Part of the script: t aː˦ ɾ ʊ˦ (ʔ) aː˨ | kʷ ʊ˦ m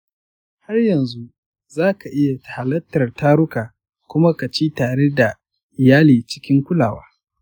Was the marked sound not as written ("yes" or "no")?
yes